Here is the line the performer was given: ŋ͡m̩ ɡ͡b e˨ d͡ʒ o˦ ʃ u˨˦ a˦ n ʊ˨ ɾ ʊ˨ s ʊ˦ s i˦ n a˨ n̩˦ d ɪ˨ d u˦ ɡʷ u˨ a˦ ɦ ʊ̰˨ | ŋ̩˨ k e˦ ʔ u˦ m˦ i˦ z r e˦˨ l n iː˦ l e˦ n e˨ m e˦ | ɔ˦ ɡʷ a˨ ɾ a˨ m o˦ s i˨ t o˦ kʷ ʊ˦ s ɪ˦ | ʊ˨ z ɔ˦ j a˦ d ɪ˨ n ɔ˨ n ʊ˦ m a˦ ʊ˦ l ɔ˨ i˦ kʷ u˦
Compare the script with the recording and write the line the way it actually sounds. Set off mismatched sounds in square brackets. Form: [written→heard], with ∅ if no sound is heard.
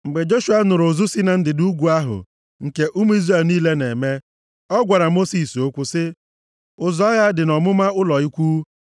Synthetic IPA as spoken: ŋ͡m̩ ɡ͡b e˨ d͡ʒ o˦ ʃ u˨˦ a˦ n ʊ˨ ɾ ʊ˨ [s→z] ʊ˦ s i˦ n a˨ n̩˦ d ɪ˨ d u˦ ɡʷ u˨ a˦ ɦ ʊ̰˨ | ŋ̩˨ k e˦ ʔ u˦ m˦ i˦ z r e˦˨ l n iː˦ l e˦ n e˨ m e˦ | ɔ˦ ɡʷ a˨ ɾ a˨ m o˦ s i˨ [t→s] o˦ kʷ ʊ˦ s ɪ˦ | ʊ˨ z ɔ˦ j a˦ d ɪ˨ n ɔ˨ [n→m] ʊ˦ m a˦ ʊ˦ l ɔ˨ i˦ kʷ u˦